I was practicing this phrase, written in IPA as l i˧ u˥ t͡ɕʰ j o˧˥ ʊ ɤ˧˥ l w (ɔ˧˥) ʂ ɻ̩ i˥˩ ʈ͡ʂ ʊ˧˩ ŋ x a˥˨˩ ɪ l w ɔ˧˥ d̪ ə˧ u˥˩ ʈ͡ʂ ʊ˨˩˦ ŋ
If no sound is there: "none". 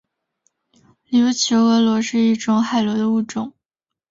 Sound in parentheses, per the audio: ɔ˧˥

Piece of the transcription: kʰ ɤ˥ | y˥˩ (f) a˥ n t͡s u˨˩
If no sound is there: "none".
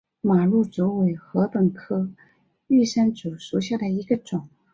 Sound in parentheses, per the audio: ʂ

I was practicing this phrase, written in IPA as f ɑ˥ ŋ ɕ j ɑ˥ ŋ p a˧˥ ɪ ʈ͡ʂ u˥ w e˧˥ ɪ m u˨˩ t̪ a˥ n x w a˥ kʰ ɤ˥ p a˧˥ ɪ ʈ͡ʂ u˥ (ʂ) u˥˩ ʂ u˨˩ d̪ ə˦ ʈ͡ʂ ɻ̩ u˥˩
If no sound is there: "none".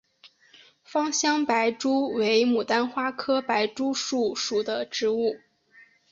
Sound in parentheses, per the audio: ʂ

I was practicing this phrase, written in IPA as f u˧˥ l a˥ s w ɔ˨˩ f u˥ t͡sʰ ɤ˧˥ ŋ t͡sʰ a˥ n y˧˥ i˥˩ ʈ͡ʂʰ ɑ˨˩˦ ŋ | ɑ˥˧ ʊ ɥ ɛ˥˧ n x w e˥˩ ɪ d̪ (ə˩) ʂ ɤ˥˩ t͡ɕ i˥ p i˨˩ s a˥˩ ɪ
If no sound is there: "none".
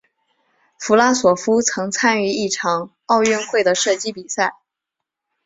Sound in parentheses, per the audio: ə˩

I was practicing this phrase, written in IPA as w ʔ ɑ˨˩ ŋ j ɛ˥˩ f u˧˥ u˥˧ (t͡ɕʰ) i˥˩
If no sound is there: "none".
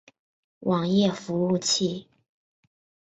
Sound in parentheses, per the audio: t͡ɕʰ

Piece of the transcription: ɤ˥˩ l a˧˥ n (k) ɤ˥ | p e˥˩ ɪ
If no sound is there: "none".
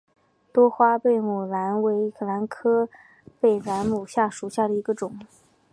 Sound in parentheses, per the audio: kʰ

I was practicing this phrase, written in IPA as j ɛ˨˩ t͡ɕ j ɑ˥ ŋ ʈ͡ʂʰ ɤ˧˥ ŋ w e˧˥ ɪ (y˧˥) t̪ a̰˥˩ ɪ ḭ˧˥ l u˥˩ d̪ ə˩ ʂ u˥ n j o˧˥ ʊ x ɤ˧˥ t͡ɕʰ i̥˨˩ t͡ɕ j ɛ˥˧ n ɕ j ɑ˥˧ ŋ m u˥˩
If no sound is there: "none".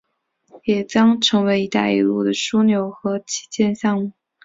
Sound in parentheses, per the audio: i˧˥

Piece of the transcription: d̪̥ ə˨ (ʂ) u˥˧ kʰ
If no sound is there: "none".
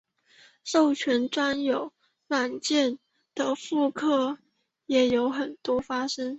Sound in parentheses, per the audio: f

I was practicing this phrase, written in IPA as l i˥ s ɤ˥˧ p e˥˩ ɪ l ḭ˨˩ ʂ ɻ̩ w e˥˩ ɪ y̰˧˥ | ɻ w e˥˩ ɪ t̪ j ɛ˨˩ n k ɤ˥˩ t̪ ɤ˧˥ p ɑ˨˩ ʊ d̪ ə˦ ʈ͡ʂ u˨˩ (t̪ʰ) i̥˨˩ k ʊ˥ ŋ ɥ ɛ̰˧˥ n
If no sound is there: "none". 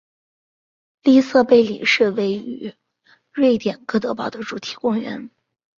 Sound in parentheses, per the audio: t̪ʰ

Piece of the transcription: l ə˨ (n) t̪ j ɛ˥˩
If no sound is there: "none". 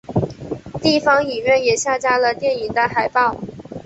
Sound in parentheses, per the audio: none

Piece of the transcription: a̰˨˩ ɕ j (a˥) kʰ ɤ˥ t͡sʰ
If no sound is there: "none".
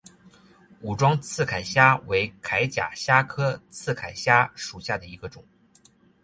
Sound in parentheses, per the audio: a˥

